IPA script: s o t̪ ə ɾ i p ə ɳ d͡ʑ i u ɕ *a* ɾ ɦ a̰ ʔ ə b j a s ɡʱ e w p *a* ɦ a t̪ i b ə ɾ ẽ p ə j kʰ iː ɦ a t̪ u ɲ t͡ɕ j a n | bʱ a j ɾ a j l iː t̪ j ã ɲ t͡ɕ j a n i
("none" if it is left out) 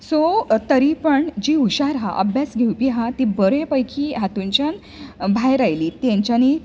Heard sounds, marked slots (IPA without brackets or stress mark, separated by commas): a, i